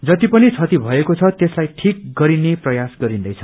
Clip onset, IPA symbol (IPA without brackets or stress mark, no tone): d͡z